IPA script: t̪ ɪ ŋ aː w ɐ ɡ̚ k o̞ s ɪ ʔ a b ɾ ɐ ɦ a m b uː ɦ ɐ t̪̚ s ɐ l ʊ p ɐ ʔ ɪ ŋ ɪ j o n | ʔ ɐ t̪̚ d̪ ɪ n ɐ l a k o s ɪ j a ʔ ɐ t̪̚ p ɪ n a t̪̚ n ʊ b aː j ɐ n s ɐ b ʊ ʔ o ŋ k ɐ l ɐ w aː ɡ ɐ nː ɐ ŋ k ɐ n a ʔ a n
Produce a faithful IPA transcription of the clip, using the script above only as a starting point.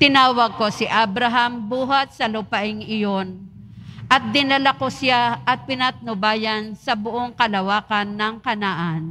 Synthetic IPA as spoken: t̪ ɪ n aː w ɐ ɡ̚ k o̞ s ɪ ʔ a b ɾ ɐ ɦ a m b uː ɦ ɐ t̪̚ s ɐ l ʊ p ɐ ʔ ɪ ŋ ɪ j o n | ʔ ɐ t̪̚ d̪ ɪ n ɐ l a k o s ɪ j a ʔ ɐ t̪̚ p ɪ n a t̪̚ n ʊ b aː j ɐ n s ɐ b ʊ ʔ o ŋ k ɐ l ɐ w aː k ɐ nː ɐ ŋ k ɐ n a ʔ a n

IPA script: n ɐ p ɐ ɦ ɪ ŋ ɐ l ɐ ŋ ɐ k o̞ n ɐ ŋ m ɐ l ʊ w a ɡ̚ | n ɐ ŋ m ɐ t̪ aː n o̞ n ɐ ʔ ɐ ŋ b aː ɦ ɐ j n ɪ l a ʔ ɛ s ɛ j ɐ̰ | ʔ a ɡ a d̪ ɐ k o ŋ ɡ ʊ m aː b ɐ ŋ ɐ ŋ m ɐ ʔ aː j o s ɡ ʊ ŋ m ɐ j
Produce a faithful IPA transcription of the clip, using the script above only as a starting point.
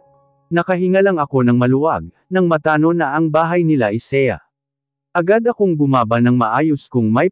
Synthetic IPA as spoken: n ɐ k ɐ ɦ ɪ ŋ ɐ l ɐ ŋ ɐ k o̞ n ɐ ŋ m ɐ l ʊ w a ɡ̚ | n ɐ ŋ m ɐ t̪ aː n o̞ n ɐ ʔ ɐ ŋ b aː ɦ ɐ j n ɪ l a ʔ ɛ s ɛ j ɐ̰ | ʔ ɐ ɡ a d̪ ɐ k o ŋ ɡ ʊ m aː b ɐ n ɐ ŋ m ɐ ʔ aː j o s k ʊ ŋ m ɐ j

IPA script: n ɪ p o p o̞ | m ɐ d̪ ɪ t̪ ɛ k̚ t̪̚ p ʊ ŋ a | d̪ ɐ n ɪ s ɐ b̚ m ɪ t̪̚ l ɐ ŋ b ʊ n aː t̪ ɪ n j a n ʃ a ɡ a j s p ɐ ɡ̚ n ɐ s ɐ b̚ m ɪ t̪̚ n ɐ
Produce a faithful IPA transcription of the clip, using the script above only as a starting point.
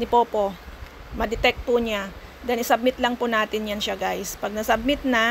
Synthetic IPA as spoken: n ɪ p o p o̞ | m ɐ d̪ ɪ t̪ ɛ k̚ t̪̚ p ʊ ɲ a | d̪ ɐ n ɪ s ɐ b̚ m ɪ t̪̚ l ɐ ŋ p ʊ n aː t̪ ɪ n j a n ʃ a ɡ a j s p ɐ ɡ̚ n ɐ s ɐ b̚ m ɪ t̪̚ n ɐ

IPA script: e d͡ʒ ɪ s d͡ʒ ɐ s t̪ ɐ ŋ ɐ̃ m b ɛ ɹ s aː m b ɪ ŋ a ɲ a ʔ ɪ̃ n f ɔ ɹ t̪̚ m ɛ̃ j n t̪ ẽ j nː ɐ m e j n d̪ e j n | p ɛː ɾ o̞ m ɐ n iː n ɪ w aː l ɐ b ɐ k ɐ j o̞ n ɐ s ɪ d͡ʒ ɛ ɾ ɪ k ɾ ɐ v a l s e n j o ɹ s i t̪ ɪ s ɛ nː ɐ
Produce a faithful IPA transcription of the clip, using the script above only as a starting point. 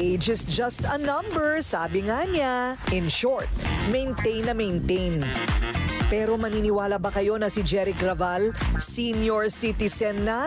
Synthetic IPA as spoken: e d͡ʒ ɪ s d͡ʒ ɐ s t̪ ɐ n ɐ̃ m b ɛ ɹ s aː b ɪ ŋ a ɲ a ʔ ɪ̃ n ʃ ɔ ɹ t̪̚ m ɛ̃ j n t̪ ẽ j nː ɐ m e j n t̪ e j n | p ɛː ɾ o̞ m ɐ n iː n ɪ w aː l ɐ b ɐ k ɐ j o̞ n ɐ s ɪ d͡ʒ ɛ ɾ ɪ k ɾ ɐ v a l s i n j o ɹ s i t̪ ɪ s ɛ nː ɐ

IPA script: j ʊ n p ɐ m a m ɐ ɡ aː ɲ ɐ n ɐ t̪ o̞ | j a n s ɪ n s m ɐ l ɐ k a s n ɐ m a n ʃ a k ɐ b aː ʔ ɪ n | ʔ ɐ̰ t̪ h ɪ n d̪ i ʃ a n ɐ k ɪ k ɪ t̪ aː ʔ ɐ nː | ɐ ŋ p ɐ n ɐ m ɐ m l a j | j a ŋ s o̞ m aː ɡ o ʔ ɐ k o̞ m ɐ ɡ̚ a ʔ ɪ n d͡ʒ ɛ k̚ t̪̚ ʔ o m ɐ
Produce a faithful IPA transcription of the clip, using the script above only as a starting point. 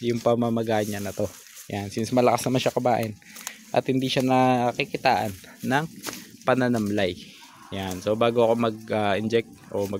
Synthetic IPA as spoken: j ʊ ŋ p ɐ m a m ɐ ɡ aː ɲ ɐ n ɐ t̪ o̞ | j a n s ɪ n s m ɐ l ɐ k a s n ɐ m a n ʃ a k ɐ b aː ʔ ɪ n | ʔ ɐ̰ t̪ h ɪ n d̪ i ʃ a n ɐ k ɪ k ɪ t̪ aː ʔ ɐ nː | ɐ ŋ p ɐ n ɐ n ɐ m l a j | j a n s o̞ b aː ɡ o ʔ ɐ k o̞ m ɐ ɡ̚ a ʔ ɪ n d͡ʒ ɛ k̚ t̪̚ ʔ o m ɐ

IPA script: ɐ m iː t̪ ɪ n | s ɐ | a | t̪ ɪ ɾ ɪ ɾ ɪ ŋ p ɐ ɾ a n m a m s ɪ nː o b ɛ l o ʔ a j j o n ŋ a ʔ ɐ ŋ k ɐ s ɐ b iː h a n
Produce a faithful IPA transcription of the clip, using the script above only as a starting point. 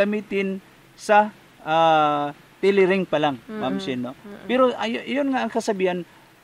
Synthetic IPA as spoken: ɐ m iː t̪ ɪ n | s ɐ | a | t̪ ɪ l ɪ ɾ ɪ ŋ p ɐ l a ŋ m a m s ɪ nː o p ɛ ɾ o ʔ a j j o n ŋ a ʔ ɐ ŋ k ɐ s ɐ b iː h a n

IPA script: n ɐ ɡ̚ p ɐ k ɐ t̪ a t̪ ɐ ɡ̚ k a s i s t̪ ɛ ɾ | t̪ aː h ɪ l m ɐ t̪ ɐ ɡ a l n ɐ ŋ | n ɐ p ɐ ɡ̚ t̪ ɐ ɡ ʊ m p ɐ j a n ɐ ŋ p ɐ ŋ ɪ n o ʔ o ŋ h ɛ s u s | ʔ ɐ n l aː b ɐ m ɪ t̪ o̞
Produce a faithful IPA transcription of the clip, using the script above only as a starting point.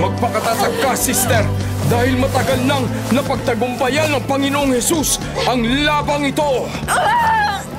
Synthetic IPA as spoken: m ɐ ɡ̚ p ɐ k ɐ t̪ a t̪ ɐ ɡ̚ k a s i s t̪ ɛ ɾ | d̪ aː h ɪ l m ɐ t̪ ɐ ɡ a l n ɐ ŋ | n ɐ p ɐ ɡ̚ t̪ ɐ ɡ ʊ m p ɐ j a n ɐ ŋ p ɐ ŋ ɪ n o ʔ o ŋ h ɛ s u s | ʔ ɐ ŋ l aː b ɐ ŋ ɪ t̪ o̞

